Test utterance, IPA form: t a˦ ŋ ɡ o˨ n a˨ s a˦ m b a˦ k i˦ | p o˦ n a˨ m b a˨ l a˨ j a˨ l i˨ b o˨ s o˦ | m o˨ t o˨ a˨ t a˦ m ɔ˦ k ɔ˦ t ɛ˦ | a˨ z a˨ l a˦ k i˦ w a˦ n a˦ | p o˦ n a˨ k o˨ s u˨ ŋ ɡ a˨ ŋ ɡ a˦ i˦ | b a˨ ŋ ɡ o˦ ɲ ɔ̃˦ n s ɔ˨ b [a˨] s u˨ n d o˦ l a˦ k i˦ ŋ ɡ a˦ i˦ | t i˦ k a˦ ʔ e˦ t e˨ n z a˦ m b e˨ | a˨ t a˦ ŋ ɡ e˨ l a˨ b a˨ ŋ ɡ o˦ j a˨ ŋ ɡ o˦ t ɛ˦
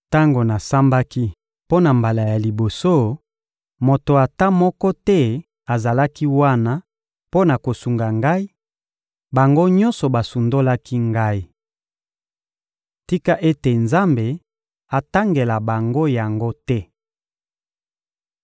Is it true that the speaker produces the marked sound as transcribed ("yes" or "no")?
yes